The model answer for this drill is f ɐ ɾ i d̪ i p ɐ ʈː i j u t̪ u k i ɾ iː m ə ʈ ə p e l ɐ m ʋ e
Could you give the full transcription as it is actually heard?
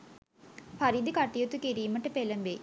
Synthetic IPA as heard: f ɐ ɾ i d̪ i k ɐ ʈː i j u t̪ u k i ɾ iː m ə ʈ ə p e l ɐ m ʋ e